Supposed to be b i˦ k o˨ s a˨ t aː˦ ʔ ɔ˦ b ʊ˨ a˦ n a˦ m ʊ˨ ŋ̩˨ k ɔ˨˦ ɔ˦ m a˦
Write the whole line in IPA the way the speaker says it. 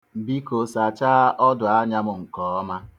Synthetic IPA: b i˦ k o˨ s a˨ t͡ʃ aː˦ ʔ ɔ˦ d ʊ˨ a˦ ɲ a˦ m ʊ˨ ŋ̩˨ k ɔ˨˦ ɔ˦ m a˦